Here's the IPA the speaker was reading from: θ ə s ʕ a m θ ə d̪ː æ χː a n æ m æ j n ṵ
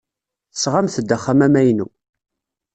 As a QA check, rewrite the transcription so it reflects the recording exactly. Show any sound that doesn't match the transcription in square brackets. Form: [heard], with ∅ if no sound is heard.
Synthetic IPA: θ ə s [ʁ] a m θ ə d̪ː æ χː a [m] æ m æ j n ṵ